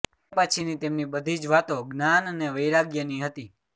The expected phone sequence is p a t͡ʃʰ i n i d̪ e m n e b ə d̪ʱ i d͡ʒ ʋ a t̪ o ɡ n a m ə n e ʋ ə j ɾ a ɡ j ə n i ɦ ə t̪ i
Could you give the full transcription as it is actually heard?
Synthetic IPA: p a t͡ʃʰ i n i t̪ e m n i b ə d̪ʱ i d͡ʒ ʋ a t̪ o ɡ n a n ə n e ʋ ə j ɾ a ɡ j ə n i ɦ ə t̪ i